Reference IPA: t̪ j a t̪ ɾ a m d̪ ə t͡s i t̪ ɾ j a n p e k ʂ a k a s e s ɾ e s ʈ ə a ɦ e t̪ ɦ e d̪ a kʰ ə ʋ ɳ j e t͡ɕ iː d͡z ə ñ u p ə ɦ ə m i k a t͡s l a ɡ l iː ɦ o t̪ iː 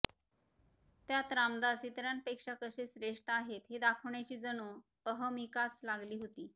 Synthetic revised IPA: t̪ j a t̪ ɾ a m d̪ a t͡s i t̪ ɾ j a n p e k ʂ a k ə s e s ɾ e ʂ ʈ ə a ɦ e t̪ ɦ e d̪ a kʰ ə ʋ ɳ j a t͡ɕ iː d͡z ə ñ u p ə ɦ ə m i k a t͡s l a ɡ l iː ɦ o t̪ iː